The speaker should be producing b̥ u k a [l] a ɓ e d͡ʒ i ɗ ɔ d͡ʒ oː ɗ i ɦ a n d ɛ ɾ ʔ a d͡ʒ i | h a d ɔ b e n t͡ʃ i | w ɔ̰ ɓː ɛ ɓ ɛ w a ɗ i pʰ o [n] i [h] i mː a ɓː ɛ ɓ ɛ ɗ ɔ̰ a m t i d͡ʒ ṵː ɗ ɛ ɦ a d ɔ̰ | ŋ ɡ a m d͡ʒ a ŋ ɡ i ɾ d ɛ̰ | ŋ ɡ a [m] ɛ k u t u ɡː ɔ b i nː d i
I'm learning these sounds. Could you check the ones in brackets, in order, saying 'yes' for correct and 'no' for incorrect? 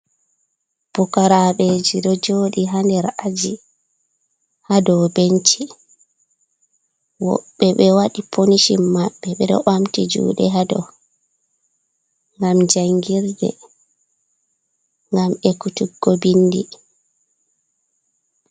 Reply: no, yes, no, yes

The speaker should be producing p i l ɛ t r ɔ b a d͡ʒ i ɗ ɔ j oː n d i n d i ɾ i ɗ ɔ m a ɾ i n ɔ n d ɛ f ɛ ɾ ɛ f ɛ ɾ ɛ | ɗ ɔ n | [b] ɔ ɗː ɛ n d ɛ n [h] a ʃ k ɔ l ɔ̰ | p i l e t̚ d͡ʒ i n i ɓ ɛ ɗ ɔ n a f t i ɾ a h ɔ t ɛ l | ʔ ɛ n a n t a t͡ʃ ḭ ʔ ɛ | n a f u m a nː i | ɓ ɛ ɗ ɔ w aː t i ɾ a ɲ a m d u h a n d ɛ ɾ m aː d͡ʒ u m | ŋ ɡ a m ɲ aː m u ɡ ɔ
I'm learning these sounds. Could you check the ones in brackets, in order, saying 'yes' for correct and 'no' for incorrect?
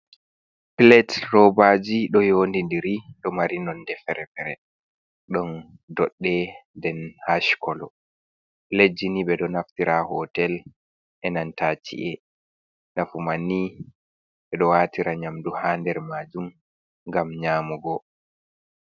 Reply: no, yes

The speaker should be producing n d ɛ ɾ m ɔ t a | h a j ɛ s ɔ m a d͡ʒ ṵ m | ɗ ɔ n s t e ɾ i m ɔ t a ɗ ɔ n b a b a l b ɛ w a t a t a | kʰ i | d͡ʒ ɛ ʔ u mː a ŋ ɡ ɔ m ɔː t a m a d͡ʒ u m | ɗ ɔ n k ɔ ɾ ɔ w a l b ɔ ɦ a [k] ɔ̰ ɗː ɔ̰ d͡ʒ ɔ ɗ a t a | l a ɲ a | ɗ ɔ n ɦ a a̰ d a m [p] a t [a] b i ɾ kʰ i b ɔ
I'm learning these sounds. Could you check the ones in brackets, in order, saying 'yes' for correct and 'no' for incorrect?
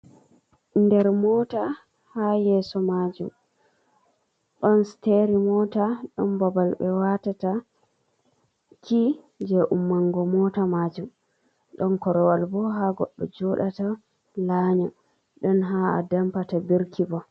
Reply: no, yes, yes

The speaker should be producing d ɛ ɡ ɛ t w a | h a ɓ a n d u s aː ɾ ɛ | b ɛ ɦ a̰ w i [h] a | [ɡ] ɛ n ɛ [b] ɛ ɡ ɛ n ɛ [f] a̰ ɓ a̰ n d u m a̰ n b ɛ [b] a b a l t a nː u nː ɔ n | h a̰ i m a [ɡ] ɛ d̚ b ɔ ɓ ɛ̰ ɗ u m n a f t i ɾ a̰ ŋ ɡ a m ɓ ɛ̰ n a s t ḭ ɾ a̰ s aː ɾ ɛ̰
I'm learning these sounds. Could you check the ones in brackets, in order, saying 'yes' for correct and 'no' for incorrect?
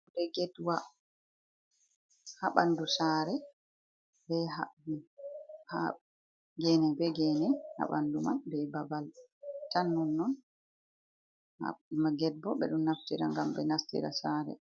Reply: yes, yes, yes, no, yes, yes

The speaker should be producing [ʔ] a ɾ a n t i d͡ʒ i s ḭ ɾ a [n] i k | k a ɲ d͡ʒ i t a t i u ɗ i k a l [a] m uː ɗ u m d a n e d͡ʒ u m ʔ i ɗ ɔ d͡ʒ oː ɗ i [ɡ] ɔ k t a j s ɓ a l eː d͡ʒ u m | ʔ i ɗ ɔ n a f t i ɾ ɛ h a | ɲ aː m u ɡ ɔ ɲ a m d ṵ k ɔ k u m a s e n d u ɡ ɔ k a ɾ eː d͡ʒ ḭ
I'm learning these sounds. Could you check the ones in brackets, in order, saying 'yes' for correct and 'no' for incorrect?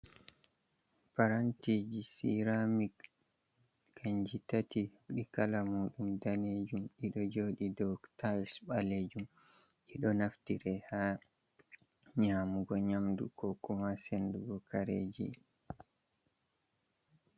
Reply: no, no, yes, no

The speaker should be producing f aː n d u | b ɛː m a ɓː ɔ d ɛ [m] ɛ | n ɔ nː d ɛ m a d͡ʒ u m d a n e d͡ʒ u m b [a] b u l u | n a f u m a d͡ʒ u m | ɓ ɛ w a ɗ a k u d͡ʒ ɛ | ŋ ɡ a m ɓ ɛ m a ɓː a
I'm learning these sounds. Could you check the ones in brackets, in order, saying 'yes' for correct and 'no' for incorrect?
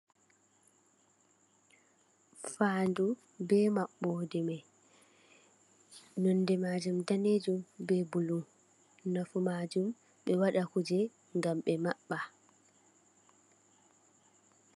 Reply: yes, no

